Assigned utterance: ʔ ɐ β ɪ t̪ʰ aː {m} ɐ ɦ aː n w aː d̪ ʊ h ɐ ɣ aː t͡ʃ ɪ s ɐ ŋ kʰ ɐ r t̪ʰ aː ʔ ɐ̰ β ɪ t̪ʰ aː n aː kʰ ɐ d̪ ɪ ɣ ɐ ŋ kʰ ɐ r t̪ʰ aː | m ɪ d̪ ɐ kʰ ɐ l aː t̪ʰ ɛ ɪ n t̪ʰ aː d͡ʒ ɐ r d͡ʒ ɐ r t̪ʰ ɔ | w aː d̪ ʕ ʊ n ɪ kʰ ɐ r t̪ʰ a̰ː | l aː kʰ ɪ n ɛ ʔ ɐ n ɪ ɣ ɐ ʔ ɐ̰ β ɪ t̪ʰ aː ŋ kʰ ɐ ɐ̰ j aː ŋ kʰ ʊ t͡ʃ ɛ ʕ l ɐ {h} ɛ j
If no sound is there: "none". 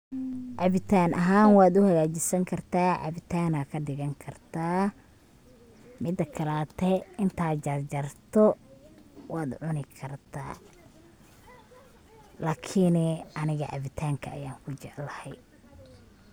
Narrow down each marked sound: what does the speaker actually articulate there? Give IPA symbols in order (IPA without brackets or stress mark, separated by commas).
n, h